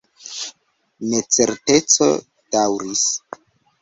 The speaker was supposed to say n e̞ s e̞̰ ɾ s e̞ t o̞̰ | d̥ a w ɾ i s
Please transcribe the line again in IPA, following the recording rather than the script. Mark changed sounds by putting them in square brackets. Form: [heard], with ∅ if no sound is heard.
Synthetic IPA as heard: n e̞ [t͡s] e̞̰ ɾ [t] e̞ [t͡s] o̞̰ | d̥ a w ɾ i s